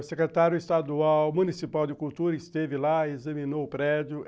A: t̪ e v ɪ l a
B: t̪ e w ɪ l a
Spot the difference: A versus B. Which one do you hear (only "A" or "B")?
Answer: A